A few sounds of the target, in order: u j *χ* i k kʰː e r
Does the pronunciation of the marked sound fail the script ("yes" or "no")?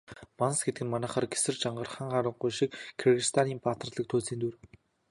yes